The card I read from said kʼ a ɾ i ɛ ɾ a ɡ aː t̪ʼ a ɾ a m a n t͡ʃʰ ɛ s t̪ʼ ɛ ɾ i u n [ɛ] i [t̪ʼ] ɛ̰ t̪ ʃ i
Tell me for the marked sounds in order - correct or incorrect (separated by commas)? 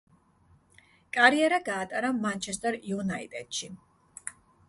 incorrect, correct